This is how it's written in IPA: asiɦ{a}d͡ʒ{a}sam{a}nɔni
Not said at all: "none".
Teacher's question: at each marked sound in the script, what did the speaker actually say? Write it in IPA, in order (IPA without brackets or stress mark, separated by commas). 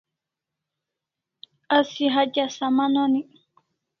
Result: a, a, a